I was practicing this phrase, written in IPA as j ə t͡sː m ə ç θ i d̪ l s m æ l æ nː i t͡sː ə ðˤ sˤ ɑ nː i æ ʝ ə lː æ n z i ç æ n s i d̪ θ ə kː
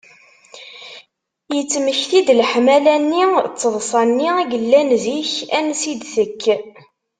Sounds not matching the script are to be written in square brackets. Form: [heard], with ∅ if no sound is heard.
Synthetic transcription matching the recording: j ə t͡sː m ə ç θ i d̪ l [ħ] m æ l æ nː i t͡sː ə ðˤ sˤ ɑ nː i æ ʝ ə lː æ n z i ç æ n s i d̪ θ ə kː